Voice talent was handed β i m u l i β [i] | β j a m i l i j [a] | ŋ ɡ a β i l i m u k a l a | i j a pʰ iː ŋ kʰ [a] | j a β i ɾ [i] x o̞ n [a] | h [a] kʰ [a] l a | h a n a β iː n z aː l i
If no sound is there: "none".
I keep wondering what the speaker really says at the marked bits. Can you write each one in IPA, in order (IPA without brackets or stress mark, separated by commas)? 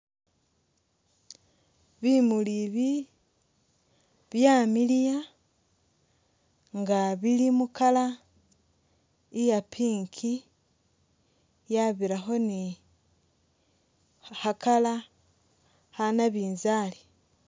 i, a, i, a, i, a, a